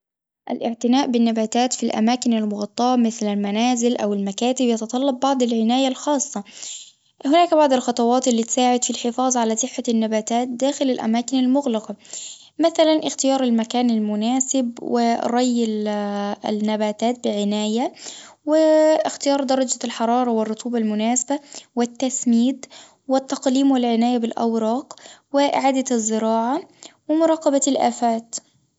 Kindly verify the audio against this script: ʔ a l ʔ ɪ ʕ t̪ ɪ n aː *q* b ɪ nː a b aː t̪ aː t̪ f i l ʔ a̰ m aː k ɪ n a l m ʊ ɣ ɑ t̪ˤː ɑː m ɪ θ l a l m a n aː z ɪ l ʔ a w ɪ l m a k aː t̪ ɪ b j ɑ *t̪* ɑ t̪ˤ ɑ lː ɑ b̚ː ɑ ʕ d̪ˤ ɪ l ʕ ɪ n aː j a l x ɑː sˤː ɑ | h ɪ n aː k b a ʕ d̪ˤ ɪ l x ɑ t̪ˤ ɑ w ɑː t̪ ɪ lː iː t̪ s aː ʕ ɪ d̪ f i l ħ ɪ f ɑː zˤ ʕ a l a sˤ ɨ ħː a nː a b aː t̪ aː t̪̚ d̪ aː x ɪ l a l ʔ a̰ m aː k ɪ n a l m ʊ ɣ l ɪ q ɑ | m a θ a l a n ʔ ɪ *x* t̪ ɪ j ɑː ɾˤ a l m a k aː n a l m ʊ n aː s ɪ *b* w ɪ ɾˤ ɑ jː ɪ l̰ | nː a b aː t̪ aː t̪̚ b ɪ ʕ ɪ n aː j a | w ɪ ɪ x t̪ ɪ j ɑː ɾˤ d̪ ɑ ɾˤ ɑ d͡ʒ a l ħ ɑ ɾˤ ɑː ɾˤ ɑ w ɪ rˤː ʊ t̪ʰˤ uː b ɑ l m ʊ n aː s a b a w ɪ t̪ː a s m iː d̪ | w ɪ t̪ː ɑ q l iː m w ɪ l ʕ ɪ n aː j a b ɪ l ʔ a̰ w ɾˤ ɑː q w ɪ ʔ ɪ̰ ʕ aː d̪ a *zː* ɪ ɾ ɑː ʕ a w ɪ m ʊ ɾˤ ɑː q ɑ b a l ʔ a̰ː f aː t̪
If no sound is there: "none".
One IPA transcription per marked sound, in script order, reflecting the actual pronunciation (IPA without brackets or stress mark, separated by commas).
ʔ, t̪, x, b, zː